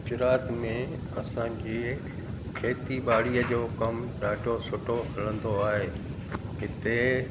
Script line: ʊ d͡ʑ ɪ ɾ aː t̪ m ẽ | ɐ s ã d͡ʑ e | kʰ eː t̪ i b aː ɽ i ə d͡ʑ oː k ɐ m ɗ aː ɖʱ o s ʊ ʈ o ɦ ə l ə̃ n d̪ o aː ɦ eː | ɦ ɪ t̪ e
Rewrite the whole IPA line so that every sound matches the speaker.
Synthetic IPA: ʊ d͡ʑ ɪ ɾ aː t̪ m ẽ | ɐ s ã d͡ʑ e | kʰ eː t̪ i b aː ɽ i ə d͡ʑ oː k ɐ m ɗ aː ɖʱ o s ʊ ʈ o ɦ ɐ l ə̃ n d̪ o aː ɦ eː | ɦ ɪ t̪ e